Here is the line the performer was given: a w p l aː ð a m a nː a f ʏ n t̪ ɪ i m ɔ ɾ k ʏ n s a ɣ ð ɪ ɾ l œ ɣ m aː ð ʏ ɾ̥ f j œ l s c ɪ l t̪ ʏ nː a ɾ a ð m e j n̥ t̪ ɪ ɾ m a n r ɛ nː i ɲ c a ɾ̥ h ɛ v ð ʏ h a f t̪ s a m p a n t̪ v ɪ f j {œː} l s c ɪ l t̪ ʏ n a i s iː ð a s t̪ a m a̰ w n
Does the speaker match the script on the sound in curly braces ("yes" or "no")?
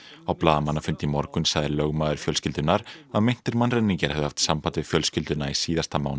no